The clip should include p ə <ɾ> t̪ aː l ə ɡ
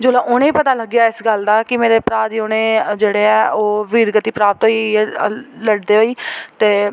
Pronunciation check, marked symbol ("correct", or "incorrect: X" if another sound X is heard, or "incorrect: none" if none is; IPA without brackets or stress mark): incorrect: none